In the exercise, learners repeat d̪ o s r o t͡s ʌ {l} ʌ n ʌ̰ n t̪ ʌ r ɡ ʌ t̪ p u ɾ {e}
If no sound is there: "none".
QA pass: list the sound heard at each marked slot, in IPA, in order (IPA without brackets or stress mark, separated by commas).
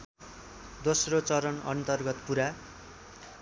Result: ɾ, a